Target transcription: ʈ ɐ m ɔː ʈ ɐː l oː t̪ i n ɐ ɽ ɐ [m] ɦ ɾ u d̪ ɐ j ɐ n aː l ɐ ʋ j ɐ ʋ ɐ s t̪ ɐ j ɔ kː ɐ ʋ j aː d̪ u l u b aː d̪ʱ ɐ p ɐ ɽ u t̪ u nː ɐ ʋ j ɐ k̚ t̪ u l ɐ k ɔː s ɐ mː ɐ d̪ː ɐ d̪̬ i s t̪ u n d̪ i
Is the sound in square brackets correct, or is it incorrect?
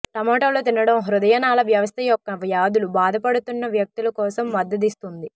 correct